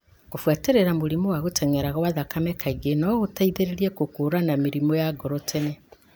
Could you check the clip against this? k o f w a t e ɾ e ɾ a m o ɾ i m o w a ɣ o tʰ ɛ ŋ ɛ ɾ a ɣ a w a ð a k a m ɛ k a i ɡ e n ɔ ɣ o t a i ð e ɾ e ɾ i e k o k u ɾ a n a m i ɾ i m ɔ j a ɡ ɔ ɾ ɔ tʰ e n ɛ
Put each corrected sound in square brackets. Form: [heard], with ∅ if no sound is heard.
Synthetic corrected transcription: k o f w a t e ɾ e ɾ a m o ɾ i m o w a ɣ o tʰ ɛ ŋ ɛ ɾ a ɣ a w a ð a k a m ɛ k a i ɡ e n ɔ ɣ o t a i ð e ɾ e ɾ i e k o k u ɾ a n a m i ɾ i m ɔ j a ɡ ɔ ɾ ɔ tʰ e n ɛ